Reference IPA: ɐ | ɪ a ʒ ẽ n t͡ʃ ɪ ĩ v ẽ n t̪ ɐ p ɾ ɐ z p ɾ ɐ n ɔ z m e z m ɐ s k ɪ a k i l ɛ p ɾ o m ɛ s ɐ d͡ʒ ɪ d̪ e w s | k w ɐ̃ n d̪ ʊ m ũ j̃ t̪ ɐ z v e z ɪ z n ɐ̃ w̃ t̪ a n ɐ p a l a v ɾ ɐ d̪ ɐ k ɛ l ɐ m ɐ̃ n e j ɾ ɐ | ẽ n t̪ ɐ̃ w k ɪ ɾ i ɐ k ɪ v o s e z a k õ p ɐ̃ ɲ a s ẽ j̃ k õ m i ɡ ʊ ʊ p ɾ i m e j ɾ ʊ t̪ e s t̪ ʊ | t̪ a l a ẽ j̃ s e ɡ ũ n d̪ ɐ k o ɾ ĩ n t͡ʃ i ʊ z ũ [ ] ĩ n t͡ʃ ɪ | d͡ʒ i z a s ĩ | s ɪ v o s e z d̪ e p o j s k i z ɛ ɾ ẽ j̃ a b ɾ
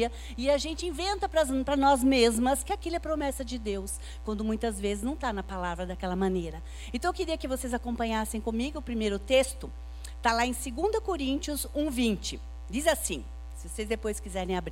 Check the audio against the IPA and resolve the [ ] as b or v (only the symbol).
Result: v